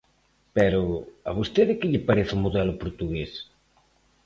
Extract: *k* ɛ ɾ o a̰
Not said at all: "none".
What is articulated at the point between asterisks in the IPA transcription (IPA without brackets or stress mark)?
p